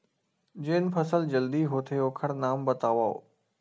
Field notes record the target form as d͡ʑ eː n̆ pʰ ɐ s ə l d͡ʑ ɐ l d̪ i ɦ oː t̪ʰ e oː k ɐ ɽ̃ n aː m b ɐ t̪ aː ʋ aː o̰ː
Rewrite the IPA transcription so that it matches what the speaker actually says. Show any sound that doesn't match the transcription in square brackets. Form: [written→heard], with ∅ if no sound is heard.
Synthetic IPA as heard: d͡ʑ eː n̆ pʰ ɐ s ə l d͡ʑ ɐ l d̪ i ɦ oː t̪ʰ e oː [k→kʰ] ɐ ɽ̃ n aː m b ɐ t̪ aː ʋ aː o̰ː